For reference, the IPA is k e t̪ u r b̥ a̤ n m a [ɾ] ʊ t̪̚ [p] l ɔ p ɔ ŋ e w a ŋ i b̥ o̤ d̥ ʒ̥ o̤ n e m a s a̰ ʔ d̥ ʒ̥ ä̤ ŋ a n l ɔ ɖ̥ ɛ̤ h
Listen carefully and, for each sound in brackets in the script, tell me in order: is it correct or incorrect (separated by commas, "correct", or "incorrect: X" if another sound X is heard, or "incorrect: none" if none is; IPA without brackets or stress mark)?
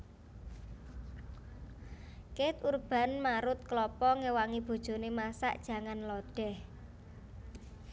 correct, incorrect: k